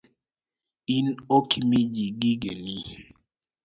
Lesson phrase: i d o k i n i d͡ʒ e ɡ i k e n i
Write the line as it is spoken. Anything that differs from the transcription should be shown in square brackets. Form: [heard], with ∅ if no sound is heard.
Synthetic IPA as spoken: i [n] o k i [m] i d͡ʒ [i] ɡ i [ɡ] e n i

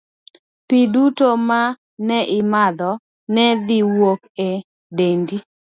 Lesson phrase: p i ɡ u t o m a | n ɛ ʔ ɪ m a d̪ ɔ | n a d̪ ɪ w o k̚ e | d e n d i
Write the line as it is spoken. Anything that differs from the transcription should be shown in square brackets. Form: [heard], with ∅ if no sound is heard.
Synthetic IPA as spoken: p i [d] u t o m a | n ɛ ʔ ɪ m a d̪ ɔ | n [ɛ] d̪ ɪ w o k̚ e | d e n d i

